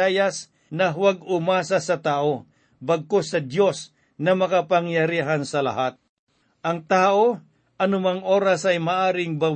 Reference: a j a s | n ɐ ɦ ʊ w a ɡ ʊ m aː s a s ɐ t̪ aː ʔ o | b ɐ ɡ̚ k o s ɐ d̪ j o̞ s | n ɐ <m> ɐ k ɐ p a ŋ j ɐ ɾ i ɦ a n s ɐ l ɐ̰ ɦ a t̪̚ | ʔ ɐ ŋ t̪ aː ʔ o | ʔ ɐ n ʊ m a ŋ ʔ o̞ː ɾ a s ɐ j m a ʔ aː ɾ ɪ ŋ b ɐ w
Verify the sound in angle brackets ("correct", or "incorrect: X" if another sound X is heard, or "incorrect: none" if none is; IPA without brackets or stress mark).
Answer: correct